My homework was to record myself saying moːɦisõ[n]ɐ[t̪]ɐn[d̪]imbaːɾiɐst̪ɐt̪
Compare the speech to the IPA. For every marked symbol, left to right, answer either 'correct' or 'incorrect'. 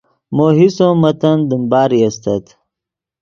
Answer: incorrect, correct, correct

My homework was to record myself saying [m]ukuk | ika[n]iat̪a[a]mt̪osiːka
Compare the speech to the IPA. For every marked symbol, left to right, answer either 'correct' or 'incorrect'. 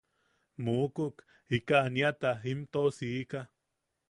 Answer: correct, correct, incorrect

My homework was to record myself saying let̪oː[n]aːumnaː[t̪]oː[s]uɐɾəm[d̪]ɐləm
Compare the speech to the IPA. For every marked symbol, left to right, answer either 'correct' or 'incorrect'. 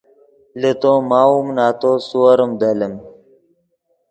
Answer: incorrect, correct, correct, correct

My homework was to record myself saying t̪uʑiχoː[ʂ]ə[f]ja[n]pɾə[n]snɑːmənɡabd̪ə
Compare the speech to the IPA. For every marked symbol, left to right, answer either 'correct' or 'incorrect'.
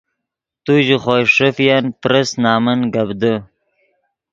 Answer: correct, correct, correct, incorrect

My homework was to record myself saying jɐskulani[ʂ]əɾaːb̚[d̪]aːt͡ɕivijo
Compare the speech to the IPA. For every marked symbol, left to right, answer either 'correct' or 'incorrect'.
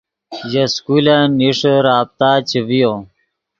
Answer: correct, incorrect

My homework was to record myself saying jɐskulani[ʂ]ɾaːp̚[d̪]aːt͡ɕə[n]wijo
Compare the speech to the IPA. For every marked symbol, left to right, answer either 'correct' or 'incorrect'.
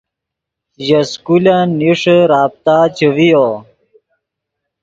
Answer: correct, incorrect, incorrect

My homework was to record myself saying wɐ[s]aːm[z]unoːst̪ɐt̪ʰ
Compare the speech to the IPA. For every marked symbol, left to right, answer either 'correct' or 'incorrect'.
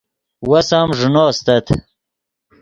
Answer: correct, incorrect

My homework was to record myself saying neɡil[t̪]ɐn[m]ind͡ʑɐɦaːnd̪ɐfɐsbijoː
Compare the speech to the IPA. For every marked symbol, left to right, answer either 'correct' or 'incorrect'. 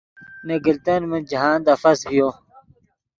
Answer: correct, correct

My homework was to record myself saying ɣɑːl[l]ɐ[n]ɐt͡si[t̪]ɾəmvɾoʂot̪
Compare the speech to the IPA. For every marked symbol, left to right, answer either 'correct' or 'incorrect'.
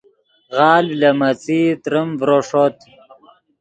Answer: correct, incorrect, correct

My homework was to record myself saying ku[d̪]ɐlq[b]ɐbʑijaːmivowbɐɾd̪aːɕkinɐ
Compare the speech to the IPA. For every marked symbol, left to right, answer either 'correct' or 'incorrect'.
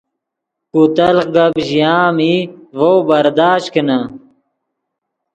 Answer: incorrect, incorrect

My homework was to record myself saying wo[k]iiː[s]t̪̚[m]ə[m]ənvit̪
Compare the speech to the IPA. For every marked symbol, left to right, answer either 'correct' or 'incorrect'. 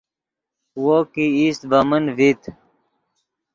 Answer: correct, correct, incorrect, correct

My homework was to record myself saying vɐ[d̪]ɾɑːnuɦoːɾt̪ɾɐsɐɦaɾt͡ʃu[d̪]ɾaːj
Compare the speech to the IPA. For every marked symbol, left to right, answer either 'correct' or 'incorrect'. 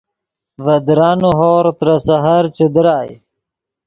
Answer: correct, correct

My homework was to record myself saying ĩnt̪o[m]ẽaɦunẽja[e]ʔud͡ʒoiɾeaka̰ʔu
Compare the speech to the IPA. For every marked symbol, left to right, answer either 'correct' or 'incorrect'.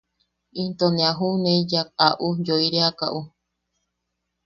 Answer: incorrect, incorrect

